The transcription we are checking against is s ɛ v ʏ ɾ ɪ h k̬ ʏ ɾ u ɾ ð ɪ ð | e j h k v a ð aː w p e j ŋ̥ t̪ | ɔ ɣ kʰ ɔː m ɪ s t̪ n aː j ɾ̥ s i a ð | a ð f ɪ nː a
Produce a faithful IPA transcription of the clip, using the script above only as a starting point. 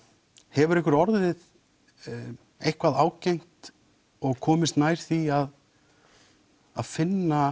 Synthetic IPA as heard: h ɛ v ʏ ɾ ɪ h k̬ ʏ ɾ ɔ ɾ ð ɪ ð | e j h k v a ð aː w c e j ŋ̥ t̪ | ɔ ɣ kʰ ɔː m ɪ s t̪ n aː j ɾ̥ θ i a ð | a ð f ɪ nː a